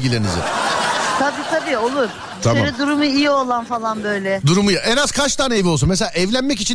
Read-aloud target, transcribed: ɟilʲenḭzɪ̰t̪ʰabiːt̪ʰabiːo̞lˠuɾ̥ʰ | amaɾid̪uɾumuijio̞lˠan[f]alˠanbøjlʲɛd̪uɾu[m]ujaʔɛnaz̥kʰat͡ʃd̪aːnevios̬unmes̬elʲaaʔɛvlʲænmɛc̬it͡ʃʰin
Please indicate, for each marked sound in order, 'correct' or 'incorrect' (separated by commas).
correct, correct